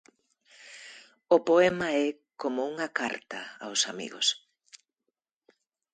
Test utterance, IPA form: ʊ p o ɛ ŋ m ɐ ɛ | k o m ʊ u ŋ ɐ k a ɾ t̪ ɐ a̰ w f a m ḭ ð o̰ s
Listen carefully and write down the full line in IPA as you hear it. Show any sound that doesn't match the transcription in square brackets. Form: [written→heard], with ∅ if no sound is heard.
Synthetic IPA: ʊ p o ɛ [ŋ→∅] m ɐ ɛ | k o m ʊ u ŋ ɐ k a ɾ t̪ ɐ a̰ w [f→s] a m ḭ [ð→ɣ] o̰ s